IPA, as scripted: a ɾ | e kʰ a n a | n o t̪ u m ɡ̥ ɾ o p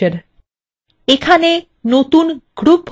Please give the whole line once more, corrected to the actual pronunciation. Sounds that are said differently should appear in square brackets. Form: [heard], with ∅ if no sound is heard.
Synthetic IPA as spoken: [e] ɾ | e kʰ a n [e] | n o t̪ u [n] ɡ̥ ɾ [u] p